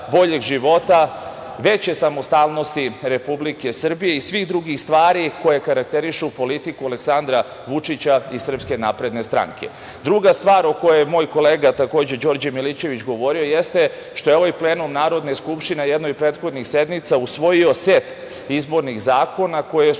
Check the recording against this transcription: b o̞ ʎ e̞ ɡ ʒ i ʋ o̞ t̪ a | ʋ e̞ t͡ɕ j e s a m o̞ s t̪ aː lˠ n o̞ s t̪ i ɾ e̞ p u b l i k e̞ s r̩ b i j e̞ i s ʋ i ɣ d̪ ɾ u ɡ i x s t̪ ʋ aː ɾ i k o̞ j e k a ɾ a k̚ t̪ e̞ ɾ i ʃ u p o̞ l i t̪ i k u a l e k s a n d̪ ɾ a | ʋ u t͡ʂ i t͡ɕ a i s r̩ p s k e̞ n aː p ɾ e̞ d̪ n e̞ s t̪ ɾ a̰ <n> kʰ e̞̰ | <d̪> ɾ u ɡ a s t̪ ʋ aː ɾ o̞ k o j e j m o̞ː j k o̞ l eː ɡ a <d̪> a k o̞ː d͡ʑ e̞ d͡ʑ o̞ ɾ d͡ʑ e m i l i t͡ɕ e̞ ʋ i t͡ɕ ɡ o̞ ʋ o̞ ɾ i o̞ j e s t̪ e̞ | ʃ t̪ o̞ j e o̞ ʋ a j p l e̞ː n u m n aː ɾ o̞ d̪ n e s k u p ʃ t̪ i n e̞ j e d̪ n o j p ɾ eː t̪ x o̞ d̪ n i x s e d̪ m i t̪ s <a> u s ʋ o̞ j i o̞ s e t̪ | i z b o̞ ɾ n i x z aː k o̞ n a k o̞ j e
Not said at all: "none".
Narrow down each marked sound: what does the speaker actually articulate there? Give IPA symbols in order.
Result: ŋ, d̪, t̪, a

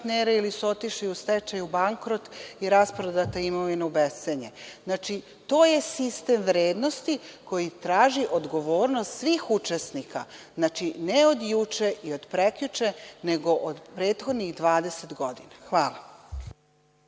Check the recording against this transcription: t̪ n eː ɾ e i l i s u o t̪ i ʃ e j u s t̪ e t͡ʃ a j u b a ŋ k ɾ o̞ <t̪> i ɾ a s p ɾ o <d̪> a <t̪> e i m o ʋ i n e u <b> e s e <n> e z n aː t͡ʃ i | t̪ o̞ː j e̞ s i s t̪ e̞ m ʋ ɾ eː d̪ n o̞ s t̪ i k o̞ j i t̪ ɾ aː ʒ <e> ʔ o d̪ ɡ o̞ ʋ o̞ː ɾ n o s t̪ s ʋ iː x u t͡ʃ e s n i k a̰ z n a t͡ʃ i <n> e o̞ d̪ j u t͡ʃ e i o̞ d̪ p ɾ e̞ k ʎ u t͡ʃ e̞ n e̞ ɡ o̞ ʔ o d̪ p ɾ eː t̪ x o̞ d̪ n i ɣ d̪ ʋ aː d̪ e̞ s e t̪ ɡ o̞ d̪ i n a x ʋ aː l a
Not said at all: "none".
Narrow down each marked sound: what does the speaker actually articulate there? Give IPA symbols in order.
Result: t̪, d̪, t̪, b, ɲ, i, n

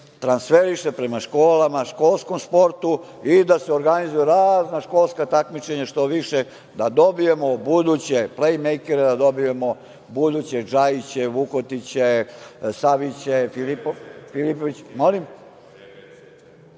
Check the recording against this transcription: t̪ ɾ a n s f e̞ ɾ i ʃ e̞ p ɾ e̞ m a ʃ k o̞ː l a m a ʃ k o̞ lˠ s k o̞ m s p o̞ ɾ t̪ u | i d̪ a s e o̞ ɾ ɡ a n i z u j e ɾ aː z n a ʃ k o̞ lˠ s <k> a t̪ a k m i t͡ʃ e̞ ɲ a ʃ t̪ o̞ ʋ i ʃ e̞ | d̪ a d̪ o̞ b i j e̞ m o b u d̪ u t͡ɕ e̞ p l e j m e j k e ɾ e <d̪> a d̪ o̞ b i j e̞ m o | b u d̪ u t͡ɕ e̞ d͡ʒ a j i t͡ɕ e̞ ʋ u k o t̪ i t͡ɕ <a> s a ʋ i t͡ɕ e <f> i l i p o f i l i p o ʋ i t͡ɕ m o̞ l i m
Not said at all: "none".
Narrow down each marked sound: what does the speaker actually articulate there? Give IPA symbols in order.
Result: k, d̪, e, f

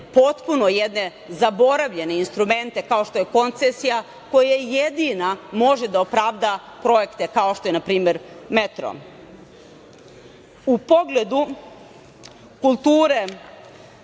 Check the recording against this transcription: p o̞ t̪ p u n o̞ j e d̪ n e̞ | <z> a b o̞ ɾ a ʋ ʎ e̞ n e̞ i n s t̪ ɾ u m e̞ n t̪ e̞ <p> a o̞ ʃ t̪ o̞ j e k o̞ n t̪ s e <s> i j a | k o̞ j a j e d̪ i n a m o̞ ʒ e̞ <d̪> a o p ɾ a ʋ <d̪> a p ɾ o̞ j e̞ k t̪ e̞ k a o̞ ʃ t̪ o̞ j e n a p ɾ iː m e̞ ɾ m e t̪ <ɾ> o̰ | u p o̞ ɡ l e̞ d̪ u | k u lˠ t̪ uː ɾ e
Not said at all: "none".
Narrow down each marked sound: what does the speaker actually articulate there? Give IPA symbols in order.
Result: z, k, s, d̪, d̪, ɾ

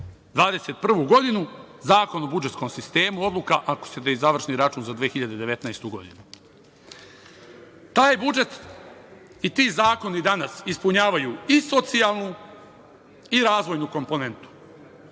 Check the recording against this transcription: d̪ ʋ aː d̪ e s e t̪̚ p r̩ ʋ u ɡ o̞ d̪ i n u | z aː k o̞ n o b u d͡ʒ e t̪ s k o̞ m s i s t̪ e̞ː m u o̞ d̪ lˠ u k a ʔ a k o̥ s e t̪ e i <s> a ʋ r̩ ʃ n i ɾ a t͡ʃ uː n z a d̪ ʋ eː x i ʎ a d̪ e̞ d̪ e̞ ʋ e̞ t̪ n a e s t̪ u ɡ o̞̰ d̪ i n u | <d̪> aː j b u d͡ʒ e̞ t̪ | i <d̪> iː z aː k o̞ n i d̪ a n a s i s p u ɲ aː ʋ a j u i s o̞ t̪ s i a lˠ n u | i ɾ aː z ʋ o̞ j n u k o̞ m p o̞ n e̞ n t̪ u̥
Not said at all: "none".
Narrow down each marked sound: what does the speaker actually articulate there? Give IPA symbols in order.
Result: z, t̪, t̪

